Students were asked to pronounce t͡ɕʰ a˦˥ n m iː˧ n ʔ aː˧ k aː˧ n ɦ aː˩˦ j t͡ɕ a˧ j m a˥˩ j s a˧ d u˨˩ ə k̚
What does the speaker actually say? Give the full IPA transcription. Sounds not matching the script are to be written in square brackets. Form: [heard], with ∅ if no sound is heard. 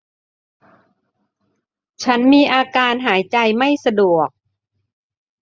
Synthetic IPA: t͡ɕʰ a˦˥ n m iː˧ [∅] ʔ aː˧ k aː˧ n ɦ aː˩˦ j t͡ɕ a˧ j m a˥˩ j s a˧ d u˨˩ ə k̚

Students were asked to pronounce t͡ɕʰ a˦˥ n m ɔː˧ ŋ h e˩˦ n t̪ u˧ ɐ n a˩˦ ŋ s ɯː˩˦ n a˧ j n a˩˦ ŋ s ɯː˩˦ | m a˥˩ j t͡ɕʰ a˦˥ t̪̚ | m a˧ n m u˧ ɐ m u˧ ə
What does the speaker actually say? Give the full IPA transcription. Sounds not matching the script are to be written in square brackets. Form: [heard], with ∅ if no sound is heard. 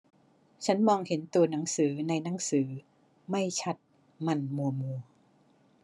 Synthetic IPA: t͡ɕʰ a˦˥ n m ɔː˧ ŋ h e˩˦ n t̪ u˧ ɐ n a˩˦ ŋ s ɯː˩˦ n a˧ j n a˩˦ ŋ s ɯː˩˦ | m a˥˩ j t͡ɕʰ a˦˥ t̪̚ | m a˧ n m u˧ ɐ m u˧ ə

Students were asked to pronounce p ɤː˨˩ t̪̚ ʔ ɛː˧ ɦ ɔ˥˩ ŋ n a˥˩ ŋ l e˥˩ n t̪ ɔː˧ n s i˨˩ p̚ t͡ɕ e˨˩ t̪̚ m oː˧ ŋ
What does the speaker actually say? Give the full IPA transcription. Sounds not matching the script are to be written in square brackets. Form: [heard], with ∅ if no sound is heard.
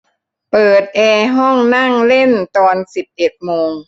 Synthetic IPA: p ɤː˨˩ t̪̚ ʔ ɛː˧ ɦ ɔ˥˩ ŋ n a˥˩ ŋ l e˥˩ n t̪ ɔː˧ n s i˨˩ p̚ t͡ɕ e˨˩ t̪̚ m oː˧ ŋ

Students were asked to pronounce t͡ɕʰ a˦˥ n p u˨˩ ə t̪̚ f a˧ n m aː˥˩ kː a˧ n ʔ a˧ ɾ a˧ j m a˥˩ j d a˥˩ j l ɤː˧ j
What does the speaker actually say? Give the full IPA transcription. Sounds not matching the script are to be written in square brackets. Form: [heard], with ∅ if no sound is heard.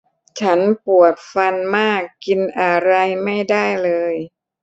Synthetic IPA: t͡ɕʰ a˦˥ n p u˨˩ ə t̪̚ f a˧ n m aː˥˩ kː [i˧] n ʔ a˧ ɾ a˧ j m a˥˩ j d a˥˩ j l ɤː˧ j

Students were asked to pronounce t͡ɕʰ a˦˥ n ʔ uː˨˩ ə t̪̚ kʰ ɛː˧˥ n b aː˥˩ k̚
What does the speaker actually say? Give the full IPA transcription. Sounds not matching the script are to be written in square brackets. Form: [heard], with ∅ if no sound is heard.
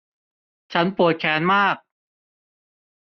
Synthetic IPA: t͡ɕʰ a˦˥ n [p] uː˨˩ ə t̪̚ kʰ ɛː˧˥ n [m] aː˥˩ k̚

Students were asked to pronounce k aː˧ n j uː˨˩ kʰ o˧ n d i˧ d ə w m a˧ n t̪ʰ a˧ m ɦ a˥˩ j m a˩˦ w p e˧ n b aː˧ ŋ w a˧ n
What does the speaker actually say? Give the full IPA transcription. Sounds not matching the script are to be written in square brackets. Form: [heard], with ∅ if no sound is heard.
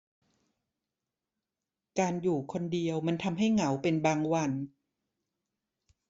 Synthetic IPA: k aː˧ n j uː˨˩ kʰ o˧ n d i˧ [∅] ə w m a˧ n t̪ʰ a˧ m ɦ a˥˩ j [ŋ] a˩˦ w p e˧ n b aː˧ ŋ w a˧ n

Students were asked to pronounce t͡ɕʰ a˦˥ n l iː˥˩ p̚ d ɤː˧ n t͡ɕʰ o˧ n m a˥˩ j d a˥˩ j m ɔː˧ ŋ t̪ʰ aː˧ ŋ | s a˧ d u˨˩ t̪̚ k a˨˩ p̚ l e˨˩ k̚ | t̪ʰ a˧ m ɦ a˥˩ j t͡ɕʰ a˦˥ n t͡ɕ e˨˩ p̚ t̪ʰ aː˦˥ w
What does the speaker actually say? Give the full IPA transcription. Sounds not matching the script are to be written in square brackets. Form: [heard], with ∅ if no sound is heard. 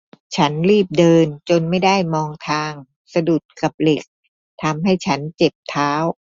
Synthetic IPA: t͡ɕʰ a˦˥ n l iː˥˩ p̚ d ɤː˧ n [t͡ɕ] o˧ n m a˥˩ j d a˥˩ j m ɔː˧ ŋ t̪ʰ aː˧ ŋ | s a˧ d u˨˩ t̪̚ k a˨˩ p̚ l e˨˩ k̚ | t̪ʰ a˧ m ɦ a˥˩ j t͡ɕʰ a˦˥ n t͡ɕ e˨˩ p̚ t̪ʰ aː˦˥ w

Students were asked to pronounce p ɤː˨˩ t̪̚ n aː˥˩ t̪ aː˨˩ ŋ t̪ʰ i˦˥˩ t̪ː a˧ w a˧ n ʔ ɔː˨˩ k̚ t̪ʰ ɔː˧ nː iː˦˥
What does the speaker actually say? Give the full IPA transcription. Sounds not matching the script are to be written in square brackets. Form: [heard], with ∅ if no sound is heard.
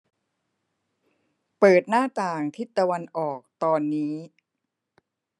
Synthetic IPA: p ɤː˨˩ t̪̚ n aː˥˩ t̪ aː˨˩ ŋ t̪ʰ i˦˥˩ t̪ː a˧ w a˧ n ʔ ɔː˨˩ k̚ [t̪] ɔː˧ nː iː˦˥

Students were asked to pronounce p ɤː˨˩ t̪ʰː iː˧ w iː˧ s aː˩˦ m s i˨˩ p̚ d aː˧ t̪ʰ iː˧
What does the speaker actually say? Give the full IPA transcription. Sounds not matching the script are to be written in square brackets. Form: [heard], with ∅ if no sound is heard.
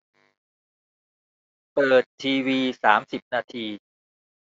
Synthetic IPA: p ɤː˨˩ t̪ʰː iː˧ w iː˧ s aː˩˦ m s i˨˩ p̚ [n] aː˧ t̪ʰ iː˧

